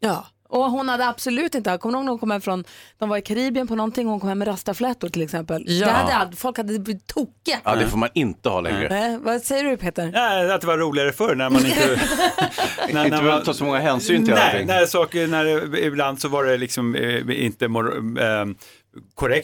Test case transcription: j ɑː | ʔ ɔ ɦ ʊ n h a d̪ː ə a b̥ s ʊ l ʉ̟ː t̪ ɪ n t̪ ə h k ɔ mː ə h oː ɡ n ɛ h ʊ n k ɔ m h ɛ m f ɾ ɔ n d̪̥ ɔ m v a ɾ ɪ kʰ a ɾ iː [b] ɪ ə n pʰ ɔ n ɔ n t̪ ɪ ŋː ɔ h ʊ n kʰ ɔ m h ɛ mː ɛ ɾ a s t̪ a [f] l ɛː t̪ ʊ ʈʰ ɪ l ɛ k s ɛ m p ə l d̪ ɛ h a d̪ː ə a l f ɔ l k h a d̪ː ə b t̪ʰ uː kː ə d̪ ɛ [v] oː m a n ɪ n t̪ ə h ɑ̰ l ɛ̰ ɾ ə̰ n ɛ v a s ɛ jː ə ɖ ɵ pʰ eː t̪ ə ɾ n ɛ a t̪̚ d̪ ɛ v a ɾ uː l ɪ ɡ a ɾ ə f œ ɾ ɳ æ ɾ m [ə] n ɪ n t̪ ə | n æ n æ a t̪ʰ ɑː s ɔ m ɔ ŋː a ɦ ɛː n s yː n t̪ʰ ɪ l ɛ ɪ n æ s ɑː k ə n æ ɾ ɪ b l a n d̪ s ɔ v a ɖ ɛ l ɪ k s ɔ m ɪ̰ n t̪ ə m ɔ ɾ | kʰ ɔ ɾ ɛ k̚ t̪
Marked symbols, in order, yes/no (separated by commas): yes, yes, no, no